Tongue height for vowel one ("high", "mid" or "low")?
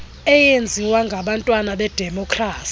mid